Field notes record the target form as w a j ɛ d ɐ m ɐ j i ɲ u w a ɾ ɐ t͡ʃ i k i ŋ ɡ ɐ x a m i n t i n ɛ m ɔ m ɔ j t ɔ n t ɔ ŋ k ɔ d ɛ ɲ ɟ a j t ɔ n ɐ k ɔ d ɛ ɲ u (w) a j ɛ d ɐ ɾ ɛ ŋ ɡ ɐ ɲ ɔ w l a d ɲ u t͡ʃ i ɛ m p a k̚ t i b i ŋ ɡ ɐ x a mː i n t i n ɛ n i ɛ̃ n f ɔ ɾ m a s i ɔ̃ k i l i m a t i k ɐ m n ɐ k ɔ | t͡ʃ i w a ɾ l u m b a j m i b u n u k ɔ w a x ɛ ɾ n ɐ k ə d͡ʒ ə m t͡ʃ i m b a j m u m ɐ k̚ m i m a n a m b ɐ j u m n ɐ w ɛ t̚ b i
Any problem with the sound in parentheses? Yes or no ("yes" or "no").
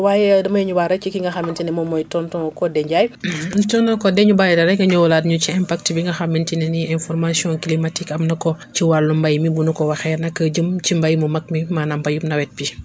yes